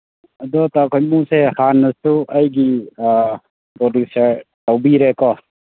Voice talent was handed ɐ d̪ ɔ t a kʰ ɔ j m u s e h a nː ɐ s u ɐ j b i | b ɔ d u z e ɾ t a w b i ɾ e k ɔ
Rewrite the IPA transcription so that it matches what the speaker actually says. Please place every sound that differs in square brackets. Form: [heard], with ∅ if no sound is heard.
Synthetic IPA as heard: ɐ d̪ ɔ t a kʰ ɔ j m u s e h a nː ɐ s u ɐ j [ɡ] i | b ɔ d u [s] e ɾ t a w b i ɾ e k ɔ

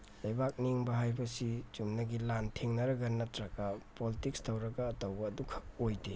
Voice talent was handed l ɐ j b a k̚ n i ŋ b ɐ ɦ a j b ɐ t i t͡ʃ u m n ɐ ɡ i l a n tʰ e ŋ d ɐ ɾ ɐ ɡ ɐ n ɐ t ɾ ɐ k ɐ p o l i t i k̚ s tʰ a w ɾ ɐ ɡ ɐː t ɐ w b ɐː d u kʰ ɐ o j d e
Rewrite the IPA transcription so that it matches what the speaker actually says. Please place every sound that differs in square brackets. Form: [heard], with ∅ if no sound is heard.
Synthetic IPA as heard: l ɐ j b a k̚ n i ŋ b ɐ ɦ a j b ɐ [s] i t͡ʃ u m n ɐ ɡ i l a n tʰ e ŋ [n] ɐ ɾ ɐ ɡ ɐ n ɐ t ɾ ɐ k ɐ p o l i t i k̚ s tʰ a w ɾ ɐ ɡ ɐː t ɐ w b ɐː d u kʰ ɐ o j d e

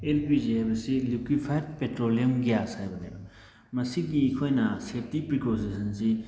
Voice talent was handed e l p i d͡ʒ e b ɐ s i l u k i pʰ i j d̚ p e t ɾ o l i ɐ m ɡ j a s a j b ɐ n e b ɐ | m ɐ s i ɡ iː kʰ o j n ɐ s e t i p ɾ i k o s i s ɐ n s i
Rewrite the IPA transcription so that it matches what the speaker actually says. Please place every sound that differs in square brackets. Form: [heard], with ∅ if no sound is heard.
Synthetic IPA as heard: e l p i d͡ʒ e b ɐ s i l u k i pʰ [a] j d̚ p e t ɾ o l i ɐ m ɡ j a s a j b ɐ n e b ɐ | m ɐ s i ɡ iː kʰ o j n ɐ s e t i p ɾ i k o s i s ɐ n s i

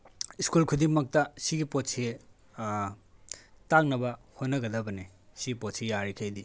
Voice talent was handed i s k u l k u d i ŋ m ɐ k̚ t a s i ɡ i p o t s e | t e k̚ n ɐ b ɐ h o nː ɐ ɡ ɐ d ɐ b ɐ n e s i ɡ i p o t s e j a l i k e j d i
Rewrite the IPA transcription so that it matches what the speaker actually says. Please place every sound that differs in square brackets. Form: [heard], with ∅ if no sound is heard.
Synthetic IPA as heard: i s k u l [kʰ] u d i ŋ m ɐ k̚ t [ɐ] s i ɡ i p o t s e | t [a] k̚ n ɐ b ɐ h o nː ɐ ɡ ɐ d ɐ b ɐ n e s i ɡ i p o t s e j a [ɾ] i [kʰ] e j d i

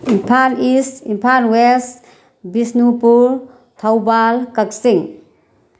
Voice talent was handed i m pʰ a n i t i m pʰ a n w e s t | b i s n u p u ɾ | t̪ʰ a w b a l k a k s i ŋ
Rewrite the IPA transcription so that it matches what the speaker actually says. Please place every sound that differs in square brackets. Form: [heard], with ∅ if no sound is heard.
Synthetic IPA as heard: i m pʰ a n i [s] i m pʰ a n w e s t | b i s n u p u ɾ | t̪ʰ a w b a l k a k s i ŋ

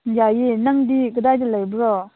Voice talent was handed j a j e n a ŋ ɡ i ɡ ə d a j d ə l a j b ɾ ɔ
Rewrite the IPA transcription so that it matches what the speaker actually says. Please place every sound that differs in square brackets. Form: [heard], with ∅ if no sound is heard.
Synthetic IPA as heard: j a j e n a ŋ [d] i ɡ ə d a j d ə l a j b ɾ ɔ

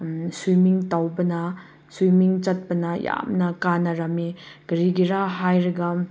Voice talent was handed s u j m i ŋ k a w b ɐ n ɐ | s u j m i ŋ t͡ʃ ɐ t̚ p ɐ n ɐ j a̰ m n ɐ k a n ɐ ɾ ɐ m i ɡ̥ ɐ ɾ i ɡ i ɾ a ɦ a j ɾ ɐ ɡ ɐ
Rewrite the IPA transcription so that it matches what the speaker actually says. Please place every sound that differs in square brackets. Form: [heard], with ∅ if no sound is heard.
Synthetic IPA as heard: s u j m i ŋ [t] a w b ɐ n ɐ | s u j m i ŋ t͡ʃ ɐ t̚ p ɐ n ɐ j a̰ m n ɐ k a n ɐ ɾ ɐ m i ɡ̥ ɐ ɾ i ɡ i ɾ a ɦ a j ɾ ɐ ɡ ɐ

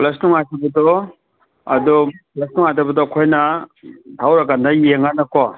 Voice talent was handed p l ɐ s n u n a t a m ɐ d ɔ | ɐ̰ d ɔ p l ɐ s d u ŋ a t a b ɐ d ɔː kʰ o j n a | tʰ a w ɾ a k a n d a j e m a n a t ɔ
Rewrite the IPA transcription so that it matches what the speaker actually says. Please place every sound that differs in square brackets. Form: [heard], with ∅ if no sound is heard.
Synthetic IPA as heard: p l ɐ s n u [ŋ] a t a [b] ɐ d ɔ | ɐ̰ d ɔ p l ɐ s [n] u ŋ a t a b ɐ d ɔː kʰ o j n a | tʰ a w ɾ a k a n d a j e [ŋ] a n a [k] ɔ

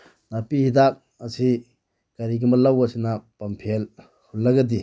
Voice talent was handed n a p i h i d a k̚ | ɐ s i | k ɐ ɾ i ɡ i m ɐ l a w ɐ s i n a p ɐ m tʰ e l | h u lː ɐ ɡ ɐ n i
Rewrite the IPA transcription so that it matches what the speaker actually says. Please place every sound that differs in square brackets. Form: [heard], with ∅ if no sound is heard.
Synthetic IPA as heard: n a p i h i d a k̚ | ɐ s i | k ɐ ɾ i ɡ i m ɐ l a w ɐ s i n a p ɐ m [pʰ] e l | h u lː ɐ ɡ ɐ [d] i

